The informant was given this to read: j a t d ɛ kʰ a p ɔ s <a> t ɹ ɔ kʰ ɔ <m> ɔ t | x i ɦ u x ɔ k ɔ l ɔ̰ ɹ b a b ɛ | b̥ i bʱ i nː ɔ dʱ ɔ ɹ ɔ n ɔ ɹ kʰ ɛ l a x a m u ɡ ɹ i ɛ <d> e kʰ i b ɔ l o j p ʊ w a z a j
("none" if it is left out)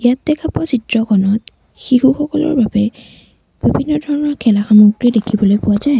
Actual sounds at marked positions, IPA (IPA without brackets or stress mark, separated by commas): i, n, d